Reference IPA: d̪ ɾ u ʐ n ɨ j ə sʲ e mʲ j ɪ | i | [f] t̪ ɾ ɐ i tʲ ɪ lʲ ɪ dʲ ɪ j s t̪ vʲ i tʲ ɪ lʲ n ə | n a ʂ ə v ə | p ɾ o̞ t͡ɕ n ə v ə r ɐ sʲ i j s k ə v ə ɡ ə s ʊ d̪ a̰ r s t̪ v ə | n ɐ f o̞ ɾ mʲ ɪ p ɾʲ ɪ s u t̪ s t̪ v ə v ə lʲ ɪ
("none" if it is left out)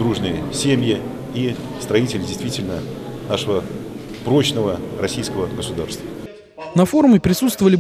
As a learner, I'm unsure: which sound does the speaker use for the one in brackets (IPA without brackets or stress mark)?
s